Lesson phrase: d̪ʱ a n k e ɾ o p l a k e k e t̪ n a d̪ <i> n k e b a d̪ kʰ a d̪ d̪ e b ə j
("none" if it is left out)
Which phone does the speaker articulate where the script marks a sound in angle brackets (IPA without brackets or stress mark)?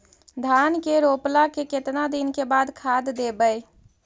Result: i